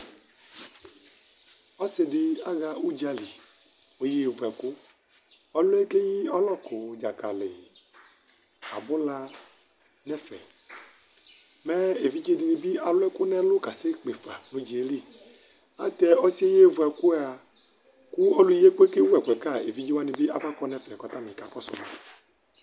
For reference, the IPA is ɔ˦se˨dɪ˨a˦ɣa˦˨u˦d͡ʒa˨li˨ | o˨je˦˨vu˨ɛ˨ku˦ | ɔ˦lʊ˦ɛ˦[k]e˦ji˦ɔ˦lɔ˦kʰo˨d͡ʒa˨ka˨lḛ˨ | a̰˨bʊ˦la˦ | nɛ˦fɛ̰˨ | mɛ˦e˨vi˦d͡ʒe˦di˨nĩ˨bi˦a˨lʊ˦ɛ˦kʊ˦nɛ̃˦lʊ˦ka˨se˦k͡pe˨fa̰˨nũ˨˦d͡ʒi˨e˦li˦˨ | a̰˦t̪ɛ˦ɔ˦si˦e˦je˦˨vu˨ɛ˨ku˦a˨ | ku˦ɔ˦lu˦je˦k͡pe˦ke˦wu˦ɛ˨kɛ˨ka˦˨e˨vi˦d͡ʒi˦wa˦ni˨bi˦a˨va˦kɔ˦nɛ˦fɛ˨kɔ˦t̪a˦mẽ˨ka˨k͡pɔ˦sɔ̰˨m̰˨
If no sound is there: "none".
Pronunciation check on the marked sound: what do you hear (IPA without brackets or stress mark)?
k